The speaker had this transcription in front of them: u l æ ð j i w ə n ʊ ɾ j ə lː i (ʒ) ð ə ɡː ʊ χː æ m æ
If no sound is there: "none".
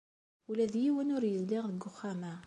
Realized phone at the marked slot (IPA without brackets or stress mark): ʁ